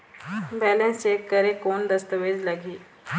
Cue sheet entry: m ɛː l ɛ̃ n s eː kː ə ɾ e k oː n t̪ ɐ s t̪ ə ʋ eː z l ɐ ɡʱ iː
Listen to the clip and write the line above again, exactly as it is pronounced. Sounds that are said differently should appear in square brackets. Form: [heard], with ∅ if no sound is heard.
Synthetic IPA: [b] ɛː l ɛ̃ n s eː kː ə ɾ e k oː n [d̪] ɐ s t̪ ə ʋ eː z l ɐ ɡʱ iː